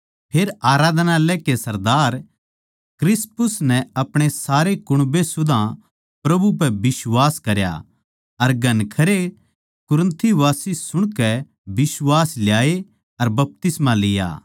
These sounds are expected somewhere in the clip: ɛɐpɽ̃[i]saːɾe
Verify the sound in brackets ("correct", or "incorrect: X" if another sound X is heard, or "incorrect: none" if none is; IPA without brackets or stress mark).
incorrect: e